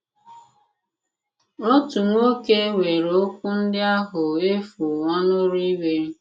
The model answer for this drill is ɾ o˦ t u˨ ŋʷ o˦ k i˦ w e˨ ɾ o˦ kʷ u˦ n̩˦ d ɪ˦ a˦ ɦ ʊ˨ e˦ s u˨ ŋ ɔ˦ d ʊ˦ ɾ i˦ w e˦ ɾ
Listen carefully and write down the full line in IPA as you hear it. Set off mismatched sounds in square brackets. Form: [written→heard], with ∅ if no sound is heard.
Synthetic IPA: ɾ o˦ t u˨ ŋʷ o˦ k [i˦→e˦] w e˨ ɾ o˦ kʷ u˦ n̩˦ d ɪ˦ a˦ ɦ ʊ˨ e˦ [s→f] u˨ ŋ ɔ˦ [d→n] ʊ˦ ɾ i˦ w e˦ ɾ